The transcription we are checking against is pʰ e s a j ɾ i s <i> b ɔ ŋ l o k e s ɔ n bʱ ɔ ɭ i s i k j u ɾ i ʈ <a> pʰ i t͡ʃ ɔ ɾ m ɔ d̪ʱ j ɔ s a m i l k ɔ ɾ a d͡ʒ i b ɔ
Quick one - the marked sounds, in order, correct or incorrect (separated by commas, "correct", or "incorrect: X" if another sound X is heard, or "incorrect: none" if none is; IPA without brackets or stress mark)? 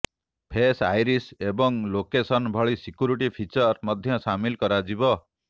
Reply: incorrect: e, incorrect: i